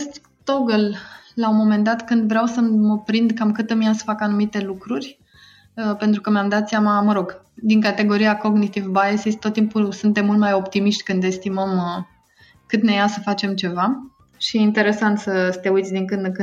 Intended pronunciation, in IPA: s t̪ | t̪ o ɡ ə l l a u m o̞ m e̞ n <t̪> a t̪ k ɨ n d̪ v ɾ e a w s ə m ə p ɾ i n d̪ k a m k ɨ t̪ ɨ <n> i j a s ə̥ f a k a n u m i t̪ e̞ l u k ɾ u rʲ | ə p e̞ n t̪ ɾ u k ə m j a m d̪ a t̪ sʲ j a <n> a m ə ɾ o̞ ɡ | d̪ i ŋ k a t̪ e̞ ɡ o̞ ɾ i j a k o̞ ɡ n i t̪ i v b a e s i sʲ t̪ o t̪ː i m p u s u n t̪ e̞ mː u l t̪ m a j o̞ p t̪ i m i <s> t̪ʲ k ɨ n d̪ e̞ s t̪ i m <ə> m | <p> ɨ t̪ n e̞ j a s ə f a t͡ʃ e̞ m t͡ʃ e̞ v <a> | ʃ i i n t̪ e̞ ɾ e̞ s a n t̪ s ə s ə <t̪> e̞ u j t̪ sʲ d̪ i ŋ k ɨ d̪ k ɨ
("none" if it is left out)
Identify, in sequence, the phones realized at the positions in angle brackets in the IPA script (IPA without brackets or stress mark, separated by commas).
d̪, m, m, ʃ, ə, k, a, t̪